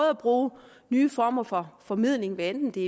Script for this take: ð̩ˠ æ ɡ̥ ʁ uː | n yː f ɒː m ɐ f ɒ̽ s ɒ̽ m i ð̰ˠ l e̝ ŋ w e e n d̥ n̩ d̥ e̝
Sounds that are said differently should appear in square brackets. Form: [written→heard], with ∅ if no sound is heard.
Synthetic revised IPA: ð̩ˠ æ [ɡ̥→b̥] ʁ uː | n yː f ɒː m ɐ f ɒ̽ [s→f] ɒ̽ m i ð̰ˠ l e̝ ŋ [w→ʋ] e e n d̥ n̩ d̥ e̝